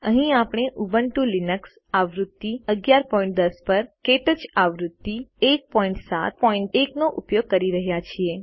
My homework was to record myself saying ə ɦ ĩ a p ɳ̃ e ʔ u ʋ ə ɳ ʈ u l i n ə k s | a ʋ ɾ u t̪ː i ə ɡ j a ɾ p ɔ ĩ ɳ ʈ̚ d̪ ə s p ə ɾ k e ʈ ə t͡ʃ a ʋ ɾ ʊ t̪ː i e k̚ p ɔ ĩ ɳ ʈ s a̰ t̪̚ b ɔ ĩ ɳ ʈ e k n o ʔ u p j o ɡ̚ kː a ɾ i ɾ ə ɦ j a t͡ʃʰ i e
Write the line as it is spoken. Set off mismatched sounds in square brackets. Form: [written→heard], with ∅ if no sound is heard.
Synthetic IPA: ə ɦ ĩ a p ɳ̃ e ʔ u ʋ ə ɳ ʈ u l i n ə k s | a ʋ ɾ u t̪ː i ə ɡ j a ɾ p ɔ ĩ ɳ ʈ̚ d̪ ə s p ə ɾ k e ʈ ə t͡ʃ a ʋ ɾ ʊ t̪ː i e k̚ p ɔ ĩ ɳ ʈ s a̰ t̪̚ [b→p] ɔ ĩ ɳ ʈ e k n o ʔ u p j o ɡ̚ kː [a→ə] ɾ i ɾ ə ɦ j a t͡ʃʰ i e

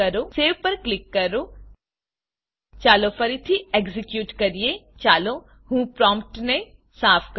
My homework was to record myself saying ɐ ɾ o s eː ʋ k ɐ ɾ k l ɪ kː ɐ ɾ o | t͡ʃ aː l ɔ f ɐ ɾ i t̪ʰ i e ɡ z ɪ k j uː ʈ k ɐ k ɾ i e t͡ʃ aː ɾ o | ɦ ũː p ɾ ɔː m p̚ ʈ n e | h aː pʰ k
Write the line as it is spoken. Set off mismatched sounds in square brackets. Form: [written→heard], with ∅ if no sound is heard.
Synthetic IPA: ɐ ɾ o s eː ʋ [k→p] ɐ ɾ k l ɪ kː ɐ ɾ o | t͡ʃ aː l [ɔ→o] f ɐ ɾ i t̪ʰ i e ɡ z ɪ k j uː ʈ k ɐ [k→∅] ɾ i e t͡ʃ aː [ɾ→l] o | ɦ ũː p ɾ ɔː m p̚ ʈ n e | [h→s] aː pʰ k

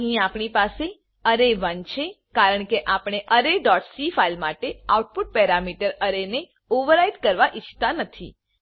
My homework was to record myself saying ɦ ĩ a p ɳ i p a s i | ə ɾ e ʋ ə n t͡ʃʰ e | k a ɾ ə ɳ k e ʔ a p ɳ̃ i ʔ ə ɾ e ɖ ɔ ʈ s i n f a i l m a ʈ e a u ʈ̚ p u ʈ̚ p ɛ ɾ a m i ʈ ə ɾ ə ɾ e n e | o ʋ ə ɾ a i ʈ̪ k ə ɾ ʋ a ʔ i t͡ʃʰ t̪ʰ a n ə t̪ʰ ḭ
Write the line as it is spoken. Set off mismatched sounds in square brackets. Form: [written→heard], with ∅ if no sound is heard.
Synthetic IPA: ɦ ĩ a p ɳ i p a s [i→e] | ə ɾ e ʋ ə n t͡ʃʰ e | k a ɾ ə ɳ k e ʔ a p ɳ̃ [i→e] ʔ ə ɾ e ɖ ɔ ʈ s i [n→∅] f a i l m a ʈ e a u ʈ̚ p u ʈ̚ p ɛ ɾ a m i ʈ ə ɾ ə ɾ e n e | o ʋ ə ɾ a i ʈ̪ k ə ɾ ʋ a ʔ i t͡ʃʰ [t̪ʰ→t̪] a n ə t̪ʰ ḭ

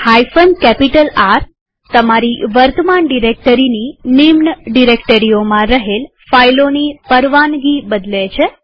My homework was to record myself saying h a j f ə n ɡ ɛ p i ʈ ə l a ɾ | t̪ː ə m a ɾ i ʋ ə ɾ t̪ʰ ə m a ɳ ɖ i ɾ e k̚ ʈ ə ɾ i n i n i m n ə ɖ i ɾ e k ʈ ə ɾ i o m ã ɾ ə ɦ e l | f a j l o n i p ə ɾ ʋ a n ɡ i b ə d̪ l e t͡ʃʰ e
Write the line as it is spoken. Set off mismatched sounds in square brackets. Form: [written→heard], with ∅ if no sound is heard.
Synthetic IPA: h a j f ə n [ɡ→k] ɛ p i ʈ ə l a ɾ | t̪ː ə m a ɾ i ʋ ə ɾ [t̪ʰ→t̪] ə m a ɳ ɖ i ɾ e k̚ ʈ ə ɾ i n i n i m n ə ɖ i ɾ e k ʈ ə ɾ i o m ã ɾ ə ɦ e l | f a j l o n i p ə ɾ ʋ a n ɡ i b ə d̪ l e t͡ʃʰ e

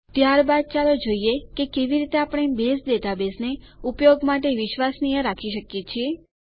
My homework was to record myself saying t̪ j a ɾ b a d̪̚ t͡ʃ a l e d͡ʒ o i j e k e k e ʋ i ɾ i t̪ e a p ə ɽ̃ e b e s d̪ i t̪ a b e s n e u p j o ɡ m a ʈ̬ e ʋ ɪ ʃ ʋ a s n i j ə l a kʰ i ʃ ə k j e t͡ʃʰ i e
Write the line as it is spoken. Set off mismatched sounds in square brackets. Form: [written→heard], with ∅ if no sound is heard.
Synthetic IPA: t̪ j a ɾ b a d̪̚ t͡ʃ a l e d͡ʒ o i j e k e k e ʋ i ɾ i t̪ e a p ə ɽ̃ e b e s d̪ [i→e] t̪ a b e s n e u p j o ɡ m a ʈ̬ e ʋ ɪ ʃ ʋ a s n i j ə [l→ɾ] a kʰ i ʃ ə k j e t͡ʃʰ i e

